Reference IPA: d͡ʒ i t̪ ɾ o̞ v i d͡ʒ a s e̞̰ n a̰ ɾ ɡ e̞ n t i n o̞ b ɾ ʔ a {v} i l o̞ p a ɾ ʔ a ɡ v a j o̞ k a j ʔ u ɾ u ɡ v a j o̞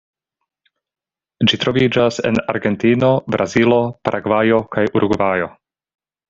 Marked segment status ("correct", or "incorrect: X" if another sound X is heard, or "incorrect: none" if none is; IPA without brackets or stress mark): incorrect: z